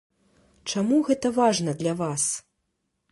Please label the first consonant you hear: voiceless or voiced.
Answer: voiceless